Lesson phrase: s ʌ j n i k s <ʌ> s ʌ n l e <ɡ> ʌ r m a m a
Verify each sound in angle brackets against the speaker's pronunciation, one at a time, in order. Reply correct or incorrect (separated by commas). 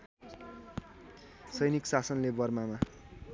incorrect, incorrect